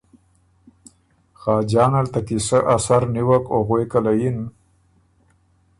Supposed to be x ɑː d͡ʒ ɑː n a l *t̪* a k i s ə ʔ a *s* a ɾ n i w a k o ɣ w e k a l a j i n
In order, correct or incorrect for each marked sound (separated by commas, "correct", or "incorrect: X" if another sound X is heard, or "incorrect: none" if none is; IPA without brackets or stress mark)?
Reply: correct, correct